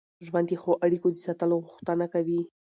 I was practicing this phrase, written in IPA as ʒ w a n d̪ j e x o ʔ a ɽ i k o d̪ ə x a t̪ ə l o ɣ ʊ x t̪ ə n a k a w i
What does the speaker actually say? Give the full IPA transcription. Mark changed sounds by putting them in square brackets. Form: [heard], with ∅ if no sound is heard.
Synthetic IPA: ʒ w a n d̪ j e x o ʔ a ɽ i k o d̪ ə [s] a t̪ ə l o ɣ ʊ x t̪ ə n a k a w i